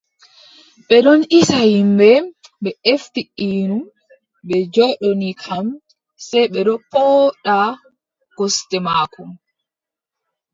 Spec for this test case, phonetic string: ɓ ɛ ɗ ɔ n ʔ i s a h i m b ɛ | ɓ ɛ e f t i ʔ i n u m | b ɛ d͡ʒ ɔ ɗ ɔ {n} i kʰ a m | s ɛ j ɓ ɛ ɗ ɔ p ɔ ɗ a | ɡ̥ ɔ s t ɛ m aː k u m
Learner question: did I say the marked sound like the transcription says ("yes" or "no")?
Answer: yes